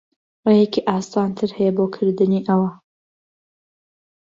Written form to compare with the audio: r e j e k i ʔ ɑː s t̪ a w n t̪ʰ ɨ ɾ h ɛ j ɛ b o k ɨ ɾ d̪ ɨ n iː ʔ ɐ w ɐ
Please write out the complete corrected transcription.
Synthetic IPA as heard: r e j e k i ʔ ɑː s t̪ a n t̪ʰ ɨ ɾ h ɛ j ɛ b o kʰ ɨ ɾ d̪ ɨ n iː ʔ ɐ w ɐ

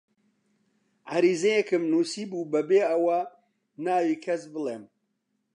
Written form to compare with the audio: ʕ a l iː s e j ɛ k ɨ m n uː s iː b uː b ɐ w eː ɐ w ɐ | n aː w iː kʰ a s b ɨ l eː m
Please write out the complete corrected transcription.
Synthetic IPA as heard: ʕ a ɾ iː z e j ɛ k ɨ m n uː s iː b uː b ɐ b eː ɐ w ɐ | n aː w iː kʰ ɐ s b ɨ l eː m

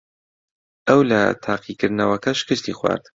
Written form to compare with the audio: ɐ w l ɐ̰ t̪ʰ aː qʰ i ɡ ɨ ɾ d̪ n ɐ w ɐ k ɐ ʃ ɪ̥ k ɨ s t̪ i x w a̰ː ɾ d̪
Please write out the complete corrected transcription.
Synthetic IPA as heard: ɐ w l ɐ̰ t̪ʰ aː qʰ i k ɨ ɾ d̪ n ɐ w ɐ k ɐ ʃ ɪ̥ k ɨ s t̪ i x w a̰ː ɾ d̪

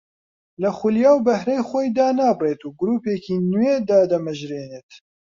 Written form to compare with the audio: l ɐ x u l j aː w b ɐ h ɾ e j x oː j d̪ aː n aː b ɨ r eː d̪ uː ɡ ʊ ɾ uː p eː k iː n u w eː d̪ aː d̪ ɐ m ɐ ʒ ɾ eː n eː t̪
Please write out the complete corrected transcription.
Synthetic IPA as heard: l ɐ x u l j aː w b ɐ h ɾ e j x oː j d̪ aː n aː b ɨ r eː t̪ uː ɡ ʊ ɾ uː p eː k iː n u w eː d̪ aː d̪ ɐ m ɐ ʒ ɾ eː n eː t̪

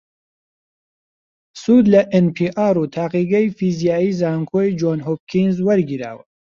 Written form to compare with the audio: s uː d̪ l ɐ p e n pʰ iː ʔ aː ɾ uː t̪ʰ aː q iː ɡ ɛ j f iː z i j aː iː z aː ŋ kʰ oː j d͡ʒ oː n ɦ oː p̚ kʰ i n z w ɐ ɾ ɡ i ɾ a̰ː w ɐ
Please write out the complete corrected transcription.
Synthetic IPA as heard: s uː d̪ l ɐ ʔ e n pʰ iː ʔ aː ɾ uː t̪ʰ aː q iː ɡ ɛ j f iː z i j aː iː z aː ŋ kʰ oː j d͡ʒ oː n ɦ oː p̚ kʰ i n z w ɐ ɾ ɡ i ɾ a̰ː w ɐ

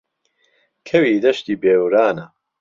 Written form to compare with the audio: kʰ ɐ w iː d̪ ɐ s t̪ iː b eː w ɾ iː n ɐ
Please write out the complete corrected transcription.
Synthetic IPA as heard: kʰ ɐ w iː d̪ ɐ ʃ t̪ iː b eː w ɾ aː n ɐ

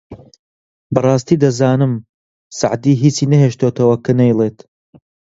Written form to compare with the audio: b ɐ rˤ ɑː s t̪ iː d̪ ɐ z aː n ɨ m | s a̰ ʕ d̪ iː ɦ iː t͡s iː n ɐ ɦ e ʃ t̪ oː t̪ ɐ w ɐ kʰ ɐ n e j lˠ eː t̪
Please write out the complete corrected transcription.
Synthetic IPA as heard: b ɐ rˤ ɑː s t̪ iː d̪ ɐ z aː n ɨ m | s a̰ ʕ d̪ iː ɦ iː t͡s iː n ɐ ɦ e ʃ t̪ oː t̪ ɐ w ɐ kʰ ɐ n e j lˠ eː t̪

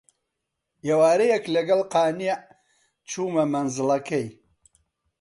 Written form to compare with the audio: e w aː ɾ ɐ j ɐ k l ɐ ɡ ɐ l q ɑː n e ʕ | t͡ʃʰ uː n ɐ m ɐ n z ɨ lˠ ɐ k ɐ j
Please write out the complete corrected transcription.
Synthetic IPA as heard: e w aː ɾ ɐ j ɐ k l ɐ ɡ ɐ l q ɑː n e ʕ | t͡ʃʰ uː m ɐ m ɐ n z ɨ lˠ ɐ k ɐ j

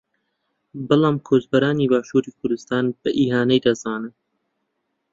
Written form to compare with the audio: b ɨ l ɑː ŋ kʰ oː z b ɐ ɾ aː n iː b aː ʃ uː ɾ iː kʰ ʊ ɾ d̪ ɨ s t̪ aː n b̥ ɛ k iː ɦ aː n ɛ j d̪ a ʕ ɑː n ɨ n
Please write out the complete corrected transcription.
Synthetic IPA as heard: b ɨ l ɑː m kʰ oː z b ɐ ɾ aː n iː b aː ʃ uː ɾ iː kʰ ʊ ɾ d̪ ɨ s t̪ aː n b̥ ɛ ʔ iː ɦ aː n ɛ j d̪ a z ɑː n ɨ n

